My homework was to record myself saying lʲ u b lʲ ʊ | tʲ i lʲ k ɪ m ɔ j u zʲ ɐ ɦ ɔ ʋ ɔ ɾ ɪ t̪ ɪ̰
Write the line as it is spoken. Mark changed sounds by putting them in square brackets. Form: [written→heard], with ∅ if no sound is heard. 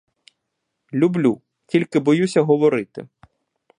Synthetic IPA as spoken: lʲ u b lʲ [ʊ→u] | tʲ i lʲ k ɪ [m→b] ɔ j u [zʲ→sʲ] ɐ ɦ ɔ ʋ ɔ ɾ ɪ t̪ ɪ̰